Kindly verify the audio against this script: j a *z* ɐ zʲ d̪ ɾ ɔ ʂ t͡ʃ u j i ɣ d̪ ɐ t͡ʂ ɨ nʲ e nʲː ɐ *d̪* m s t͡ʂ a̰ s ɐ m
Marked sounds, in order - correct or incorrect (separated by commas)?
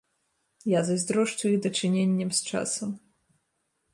correct, incorrect